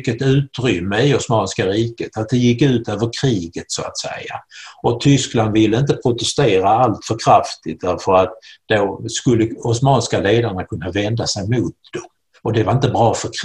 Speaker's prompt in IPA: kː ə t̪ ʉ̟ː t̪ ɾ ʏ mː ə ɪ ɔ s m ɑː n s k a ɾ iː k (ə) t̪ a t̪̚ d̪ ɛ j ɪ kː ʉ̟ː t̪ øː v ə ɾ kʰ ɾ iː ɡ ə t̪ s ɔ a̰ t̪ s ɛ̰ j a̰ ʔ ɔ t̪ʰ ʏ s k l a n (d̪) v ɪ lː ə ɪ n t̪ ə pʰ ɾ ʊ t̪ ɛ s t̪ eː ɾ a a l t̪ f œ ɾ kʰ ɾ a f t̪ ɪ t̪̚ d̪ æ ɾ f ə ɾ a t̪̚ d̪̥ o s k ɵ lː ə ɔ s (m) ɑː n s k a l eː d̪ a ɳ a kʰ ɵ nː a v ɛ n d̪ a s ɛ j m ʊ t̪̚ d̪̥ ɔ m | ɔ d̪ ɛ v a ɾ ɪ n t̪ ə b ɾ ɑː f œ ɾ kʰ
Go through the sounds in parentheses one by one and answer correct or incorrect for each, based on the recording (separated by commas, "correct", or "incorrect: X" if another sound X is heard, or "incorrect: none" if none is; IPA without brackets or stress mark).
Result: correct, correct, correct